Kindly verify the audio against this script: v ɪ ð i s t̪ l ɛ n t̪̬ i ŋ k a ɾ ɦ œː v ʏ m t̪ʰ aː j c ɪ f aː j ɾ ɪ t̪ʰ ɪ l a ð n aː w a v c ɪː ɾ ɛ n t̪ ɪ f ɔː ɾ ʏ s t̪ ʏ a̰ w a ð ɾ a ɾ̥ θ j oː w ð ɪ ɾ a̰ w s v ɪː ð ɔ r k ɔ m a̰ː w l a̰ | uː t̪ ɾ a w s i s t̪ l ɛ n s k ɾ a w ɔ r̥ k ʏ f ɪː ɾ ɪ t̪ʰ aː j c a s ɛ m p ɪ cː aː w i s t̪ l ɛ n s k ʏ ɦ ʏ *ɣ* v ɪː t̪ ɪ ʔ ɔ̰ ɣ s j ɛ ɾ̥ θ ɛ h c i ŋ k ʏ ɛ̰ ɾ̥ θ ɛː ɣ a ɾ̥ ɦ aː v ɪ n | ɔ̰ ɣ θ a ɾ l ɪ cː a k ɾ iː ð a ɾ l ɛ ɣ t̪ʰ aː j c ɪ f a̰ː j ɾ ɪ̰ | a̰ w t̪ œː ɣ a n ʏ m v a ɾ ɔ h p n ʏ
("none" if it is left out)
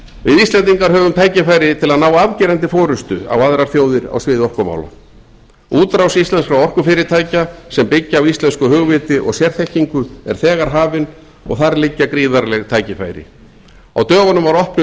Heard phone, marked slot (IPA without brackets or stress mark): ɣ